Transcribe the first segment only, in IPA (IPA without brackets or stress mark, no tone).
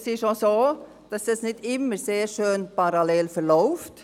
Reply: s